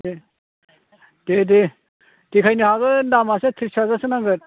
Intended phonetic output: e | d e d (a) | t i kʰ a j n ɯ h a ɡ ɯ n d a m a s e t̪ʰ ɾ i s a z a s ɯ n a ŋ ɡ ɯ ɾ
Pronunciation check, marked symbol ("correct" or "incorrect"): incorrect